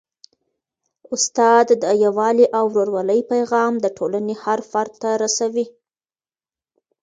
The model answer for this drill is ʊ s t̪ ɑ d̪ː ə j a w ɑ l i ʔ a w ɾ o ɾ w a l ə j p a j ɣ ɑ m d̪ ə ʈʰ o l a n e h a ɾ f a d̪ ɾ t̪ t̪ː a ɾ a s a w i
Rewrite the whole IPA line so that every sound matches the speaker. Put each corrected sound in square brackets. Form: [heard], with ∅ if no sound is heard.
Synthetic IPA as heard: ʊ s t̪ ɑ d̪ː ə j a w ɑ l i ʔ a w ɾ o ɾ w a l ə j p a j ɣ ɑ m d̪ ə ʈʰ o l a n e h a ɾ f a [∅] ɾ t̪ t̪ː a ɾ a s a w i